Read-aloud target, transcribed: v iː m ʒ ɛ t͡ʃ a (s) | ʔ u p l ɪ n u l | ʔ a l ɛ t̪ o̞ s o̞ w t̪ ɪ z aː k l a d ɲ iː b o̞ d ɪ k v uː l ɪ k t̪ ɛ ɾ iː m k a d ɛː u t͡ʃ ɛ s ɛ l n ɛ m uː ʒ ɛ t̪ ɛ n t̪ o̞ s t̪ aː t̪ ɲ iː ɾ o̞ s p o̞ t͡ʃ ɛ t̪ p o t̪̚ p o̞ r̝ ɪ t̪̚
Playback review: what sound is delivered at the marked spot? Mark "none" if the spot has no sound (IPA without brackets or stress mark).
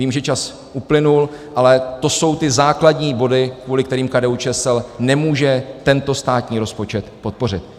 s